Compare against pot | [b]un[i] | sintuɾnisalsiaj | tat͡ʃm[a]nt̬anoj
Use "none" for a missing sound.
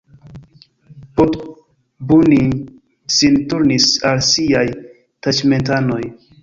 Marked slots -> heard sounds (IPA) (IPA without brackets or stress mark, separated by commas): b, i, e